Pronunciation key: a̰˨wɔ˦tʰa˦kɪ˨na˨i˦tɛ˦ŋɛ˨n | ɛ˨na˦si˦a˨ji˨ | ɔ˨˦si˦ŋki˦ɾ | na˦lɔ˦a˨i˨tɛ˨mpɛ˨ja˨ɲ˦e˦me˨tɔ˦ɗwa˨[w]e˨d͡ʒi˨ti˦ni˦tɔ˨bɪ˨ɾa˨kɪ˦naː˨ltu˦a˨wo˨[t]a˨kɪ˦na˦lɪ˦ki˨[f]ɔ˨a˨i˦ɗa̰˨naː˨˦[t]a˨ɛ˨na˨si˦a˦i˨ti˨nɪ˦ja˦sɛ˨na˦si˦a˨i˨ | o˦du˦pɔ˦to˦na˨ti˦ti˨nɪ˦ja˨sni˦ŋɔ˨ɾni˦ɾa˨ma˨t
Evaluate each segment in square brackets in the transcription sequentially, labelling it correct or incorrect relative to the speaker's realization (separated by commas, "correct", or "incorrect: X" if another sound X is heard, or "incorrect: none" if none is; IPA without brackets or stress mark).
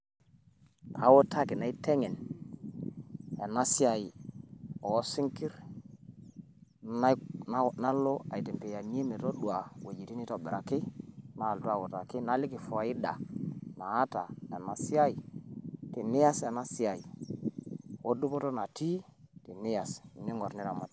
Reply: correct, correct, correct, correct